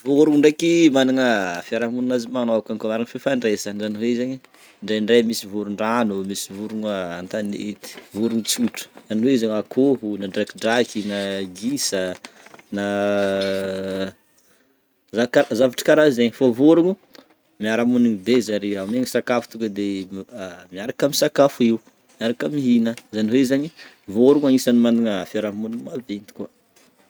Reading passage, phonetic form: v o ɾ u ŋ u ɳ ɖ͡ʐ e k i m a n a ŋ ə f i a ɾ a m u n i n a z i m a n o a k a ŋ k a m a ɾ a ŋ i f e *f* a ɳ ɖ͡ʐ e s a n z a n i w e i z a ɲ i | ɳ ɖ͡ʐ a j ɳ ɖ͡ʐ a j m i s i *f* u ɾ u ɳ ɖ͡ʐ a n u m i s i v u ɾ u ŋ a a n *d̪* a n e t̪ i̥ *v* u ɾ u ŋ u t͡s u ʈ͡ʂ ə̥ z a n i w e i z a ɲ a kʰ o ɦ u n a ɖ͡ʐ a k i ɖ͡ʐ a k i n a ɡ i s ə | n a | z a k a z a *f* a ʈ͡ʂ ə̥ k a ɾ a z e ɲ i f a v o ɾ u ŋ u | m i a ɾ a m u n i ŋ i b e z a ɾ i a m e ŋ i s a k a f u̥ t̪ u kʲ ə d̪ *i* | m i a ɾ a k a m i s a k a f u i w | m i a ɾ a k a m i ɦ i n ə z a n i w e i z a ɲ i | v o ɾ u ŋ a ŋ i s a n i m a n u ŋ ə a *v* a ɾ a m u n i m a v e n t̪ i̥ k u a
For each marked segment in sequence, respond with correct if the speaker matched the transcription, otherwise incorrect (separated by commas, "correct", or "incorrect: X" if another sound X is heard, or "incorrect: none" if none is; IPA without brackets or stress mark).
correct, incorrect: v, incorrect: t̪, correct, incorrect: v, incorrect: e, incorrect: f